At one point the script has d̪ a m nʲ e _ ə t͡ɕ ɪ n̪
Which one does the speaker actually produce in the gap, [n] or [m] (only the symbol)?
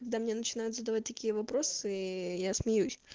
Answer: n